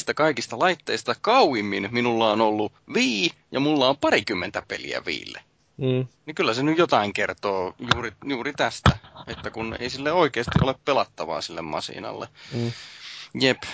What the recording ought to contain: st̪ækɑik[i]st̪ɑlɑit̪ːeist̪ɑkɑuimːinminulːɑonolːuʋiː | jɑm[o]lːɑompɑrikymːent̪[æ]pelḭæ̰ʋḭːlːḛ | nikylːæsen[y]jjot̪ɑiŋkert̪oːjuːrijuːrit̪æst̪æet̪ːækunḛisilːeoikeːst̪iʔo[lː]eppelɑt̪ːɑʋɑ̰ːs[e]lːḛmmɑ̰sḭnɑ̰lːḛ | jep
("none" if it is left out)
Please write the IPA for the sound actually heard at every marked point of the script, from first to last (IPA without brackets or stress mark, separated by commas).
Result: i, u, æ, y, l, i